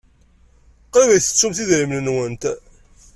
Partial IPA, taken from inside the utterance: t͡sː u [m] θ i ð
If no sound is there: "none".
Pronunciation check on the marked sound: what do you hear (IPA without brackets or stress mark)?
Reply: m